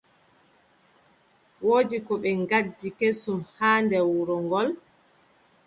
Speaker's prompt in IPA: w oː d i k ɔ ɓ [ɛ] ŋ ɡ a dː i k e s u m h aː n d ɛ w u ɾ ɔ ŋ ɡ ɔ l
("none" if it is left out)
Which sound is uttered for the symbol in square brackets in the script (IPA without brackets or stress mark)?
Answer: ɛ